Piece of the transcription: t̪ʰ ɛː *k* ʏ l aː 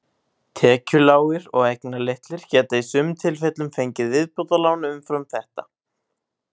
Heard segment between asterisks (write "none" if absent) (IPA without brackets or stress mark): c